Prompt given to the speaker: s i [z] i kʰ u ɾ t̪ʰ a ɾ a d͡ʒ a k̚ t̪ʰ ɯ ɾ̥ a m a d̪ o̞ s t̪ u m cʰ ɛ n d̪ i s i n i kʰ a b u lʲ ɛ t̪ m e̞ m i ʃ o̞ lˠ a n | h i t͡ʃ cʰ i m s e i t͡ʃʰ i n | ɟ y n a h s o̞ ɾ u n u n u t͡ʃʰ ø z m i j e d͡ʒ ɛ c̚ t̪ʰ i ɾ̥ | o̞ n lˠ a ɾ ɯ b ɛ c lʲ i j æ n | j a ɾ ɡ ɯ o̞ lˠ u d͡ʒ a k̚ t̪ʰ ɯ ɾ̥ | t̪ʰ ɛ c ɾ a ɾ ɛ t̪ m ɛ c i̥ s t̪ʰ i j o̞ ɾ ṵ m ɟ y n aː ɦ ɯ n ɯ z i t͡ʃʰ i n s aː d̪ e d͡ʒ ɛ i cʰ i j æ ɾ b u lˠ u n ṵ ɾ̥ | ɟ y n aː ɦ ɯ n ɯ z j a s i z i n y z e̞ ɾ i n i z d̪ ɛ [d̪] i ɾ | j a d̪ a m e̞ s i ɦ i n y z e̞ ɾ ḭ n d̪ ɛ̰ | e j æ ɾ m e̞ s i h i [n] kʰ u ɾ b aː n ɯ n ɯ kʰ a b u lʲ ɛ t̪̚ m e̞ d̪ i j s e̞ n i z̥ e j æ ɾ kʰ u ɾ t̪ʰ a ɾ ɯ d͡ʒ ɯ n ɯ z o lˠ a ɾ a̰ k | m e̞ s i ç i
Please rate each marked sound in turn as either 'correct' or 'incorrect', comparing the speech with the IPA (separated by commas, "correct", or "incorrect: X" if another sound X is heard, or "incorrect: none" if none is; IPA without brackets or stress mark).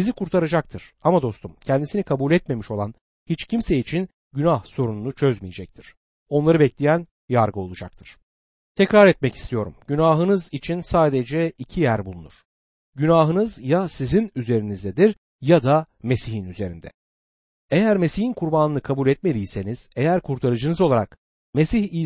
correct, correct, correct